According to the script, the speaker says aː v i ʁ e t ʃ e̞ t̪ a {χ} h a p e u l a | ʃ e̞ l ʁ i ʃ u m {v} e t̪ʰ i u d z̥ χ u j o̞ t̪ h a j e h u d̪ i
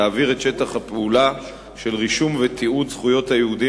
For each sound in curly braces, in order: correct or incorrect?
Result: correct, correct

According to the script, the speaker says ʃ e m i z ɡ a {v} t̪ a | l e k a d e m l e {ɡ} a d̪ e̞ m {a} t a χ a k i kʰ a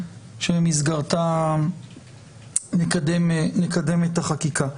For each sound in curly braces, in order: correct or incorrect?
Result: incorrect: ʁ, incorrect: k, incorrect: e

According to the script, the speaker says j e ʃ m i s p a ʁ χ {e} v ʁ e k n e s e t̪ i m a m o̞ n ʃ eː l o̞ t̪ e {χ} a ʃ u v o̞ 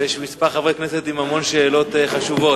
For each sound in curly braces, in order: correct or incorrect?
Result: incorrect: a, correct

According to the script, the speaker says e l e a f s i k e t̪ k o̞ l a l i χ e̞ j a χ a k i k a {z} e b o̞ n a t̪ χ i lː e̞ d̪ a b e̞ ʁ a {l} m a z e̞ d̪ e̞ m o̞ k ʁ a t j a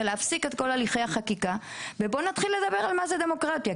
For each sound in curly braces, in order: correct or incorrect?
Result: incorrect: v, correct

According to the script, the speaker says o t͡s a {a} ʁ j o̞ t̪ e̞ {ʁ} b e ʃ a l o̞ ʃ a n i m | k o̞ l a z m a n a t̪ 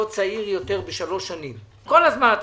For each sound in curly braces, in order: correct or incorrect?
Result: incorrect: i, correct

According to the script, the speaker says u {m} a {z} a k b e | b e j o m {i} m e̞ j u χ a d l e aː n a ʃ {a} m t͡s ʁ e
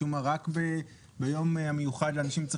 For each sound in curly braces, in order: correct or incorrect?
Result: correct, incorrect: ʁ, incorrect: a, incorrect: i

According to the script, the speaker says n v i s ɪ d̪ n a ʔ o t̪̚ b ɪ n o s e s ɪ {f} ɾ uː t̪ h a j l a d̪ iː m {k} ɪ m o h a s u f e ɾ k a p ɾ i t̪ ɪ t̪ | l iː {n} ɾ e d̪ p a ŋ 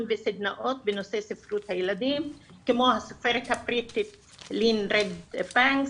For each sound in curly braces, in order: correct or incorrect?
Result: correct, correct, correct

